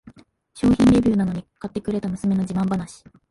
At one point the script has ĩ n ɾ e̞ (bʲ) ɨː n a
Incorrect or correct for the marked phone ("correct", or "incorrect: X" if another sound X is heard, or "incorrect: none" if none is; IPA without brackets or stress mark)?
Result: correct